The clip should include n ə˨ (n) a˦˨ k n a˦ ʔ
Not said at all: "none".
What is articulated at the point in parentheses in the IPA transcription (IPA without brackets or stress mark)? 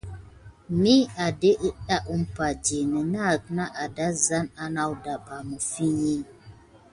n